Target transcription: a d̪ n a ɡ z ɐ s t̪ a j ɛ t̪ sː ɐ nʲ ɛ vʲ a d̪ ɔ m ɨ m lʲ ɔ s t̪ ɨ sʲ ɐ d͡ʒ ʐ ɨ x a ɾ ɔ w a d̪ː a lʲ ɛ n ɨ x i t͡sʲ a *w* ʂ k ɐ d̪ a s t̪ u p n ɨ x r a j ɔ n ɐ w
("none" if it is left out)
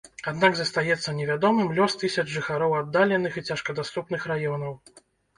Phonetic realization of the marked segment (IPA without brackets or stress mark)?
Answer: none